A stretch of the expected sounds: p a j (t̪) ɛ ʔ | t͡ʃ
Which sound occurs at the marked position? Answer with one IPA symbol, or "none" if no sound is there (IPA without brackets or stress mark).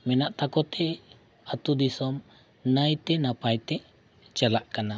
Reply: t̪